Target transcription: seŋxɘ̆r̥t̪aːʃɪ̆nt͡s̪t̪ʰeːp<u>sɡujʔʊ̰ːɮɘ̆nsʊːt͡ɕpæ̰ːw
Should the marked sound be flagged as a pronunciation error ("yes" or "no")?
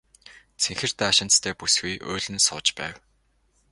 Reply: no